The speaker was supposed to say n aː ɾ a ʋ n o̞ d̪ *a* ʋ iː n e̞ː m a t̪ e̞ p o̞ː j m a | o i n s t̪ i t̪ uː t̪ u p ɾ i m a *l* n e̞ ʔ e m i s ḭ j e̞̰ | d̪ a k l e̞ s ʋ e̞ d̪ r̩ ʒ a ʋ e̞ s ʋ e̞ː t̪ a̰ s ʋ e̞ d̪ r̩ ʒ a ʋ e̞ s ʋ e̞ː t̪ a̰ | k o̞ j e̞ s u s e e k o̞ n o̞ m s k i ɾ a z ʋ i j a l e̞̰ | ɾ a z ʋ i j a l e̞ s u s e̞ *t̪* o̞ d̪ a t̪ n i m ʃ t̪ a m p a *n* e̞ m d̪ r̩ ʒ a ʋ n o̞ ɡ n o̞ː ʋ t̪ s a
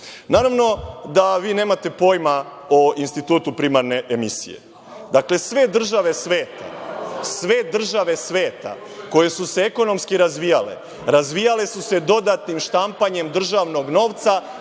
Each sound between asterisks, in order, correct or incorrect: correct, incorrect, incorrect, incorrect

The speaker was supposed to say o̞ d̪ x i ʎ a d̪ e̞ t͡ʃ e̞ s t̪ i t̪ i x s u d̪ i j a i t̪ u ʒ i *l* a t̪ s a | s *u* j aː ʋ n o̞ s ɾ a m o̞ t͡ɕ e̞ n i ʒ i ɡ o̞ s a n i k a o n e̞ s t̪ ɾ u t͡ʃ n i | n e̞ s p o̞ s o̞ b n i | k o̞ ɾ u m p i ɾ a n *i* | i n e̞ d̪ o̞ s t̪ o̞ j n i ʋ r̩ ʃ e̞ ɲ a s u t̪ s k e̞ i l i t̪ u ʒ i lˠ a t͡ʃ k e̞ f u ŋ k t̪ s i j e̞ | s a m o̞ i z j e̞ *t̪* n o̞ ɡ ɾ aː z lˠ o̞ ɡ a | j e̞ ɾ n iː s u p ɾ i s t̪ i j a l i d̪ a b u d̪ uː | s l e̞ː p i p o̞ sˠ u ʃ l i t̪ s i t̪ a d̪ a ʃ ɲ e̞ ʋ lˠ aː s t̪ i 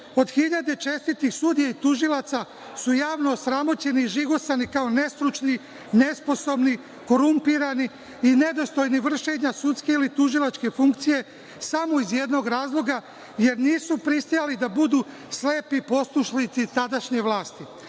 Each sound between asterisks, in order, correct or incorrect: correct, correct, correct, incorrect

